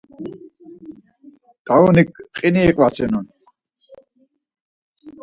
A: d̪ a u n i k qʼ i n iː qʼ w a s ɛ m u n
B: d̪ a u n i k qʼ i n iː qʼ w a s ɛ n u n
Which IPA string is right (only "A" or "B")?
B